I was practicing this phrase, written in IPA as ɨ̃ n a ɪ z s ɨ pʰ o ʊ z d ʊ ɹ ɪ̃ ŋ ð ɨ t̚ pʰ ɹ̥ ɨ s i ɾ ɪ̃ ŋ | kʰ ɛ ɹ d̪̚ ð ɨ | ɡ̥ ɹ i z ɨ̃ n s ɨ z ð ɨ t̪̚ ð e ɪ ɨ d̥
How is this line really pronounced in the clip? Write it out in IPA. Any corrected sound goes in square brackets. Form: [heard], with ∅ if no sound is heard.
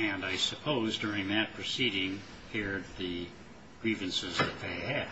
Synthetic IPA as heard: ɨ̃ n a ɪ [∅] s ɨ pʰ o ʊ z d ʊ ɹ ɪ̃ ŋ ð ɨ t̚ pʰ ɹ̥ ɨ s i ɾ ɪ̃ ŋ | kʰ ɛ ɹ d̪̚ ð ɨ | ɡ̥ ɹ i [v] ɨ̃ n s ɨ z ð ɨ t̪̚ ð e ɪ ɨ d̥